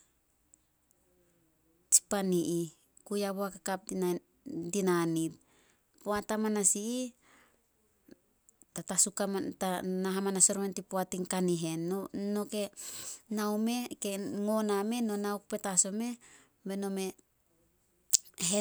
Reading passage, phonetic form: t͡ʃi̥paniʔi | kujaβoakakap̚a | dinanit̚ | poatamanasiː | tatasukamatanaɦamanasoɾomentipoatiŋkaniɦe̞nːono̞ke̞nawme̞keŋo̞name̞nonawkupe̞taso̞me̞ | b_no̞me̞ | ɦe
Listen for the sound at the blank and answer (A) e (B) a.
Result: A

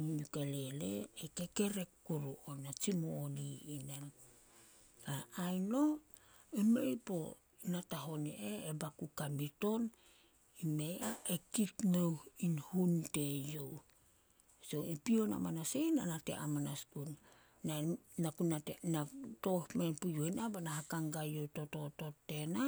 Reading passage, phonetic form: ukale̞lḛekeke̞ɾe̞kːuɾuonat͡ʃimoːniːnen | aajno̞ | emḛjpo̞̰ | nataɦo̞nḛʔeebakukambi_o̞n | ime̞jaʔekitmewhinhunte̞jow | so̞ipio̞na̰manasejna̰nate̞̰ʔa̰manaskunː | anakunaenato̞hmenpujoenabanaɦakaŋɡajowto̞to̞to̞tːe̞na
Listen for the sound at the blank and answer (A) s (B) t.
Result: B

